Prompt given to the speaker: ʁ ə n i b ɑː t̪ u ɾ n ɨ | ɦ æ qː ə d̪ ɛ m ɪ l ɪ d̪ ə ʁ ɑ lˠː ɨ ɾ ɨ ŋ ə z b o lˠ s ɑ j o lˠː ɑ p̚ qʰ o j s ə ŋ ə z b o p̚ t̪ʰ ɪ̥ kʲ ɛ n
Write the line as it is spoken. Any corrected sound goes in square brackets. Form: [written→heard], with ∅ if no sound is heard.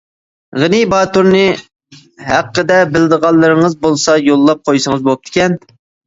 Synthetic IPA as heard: ʁ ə n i b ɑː t̪ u ɾ n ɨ | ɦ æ qː ə d̪ ɛ [m→b] ɪ l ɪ d̪ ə ʁ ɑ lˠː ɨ ɾ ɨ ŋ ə z b o lˠ s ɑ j o lˠː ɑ p̚ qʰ o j s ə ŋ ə z b o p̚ t̪ʰ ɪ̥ kʲ ɛ n

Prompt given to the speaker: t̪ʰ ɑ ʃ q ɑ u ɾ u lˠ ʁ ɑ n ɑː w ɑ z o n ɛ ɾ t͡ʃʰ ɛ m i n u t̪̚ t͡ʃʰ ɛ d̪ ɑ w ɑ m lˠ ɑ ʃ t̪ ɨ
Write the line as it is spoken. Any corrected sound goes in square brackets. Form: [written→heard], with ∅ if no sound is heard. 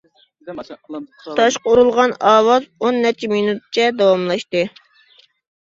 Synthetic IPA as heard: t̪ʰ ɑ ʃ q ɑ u ɾ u lˠ ʁ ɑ n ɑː w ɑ z o [n→nː] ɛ ɾ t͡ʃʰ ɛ m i n u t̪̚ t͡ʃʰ ɛ d̪ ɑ w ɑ m lˠ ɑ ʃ t̪ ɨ

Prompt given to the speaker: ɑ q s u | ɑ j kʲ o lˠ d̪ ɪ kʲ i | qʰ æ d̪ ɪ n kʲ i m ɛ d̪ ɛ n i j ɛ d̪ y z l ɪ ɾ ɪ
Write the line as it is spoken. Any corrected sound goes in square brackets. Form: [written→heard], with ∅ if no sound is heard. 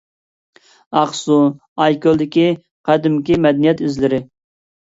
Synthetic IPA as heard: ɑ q s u | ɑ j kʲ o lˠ d̪ ɪ kʲ i | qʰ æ d̪ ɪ [n→m] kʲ i m ɛ d̪ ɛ n i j ɛ [d̪→t̪] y z l ɪ ɾ ɪ

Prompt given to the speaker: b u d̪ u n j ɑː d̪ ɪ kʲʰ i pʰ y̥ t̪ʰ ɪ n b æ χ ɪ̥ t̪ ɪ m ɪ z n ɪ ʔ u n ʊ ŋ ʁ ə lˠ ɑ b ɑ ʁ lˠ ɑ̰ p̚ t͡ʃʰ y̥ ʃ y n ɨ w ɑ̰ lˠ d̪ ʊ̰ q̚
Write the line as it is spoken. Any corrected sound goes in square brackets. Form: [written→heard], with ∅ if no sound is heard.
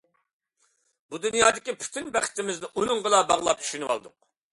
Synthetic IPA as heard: b u d̪ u n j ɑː d̪ ɪ [kʲʰ→kʲ] i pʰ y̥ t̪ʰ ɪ n b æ χ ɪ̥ t̪ ɪ m ɪ z n ɪ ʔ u n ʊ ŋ ʁ ə lˠ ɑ b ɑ ʁ lˠ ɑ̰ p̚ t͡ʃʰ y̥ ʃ y n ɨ w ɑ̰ lˠ d̪ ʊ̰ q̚

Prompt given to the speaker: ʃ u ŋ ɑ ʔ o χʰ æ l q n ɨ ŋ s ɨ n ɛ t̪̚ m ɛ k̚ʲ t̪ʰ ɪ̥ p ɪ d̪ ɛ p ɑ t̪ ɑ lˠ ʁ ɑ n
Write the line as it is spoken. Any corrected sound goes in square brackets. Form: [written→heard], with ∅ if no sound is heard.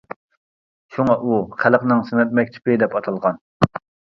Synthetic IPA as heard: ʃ u ŋ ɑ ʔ [o→u] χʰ æ l q n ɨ ŋ s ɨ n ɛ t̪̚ m ɛ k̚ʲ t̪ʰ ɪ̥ p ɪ d̪ ɛ p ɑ [t̪→t̪ʰ] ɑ lˠ ʁ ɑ n

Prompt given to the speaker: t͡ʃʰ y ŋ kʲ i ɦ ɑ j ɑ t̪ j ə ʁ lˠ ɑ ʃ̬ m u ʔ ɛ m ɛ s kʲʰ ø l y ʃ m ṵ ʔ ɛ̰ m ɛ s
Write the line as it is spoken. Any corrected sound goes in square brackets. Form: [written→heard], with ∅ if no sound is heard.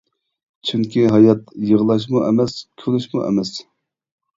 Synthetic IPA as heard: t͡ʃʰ y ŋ kʲ i ɦ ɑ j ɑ t̪ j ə ʁ lˠ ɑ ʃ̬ m u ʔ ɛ m ɛ s kʲʰ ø l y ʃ m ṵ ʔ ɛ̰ m ɛ s

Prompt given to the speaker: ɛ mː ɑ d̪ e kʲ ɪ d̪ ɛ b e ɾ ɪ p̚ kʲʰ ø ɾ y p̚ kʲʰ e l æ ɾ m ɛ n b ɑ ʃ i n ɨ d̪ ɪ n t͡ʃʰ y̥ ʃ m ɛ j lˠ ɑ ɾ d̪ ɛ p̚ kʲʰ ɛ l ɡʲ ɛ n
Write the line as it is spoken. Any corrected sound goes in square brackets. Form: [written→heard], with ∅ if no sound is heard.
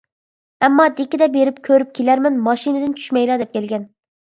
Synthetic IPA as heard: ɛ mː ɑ d̪ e kʲ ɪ d̪ ɛ b e ɾ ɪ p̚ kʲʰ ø ɾ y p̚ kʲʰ e l æ ɾ m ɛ n [b→m] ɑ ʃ i n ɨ d̪ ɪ n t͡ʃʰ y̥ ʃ m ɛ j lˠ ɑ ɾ d̪ ɛ p̚ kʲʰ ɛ l ɡʲ ɛ n

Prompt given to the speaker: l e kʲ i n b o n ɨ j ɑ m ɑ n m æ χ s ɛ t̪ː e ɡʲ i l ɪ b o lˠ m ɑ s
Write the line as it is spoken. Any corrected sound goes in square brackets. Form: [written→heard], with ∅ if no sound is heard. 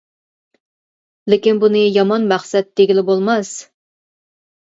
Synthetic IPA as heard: l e kʲ i n b [o→u] n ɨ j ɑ m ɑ n m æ χ s ɛ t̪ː e ɡʲ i l ɪ b o lˠ m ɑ s

